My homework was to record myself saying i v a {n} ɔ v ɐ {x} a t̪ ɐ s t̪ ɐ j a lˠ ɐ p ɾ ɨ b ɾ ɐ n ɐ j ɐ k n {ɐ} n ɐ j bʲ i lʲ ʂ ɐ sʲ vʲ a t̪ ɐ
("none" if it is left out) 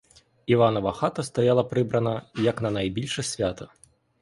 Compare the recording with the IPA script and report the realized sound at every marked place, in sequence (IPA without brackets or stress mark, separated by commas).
n, x, ɐ